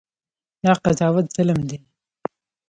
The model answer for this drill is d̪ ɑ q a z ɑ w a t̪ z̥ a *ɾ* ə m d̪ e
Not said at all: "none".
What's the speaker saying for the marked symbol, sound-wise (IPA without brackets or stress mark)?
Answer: l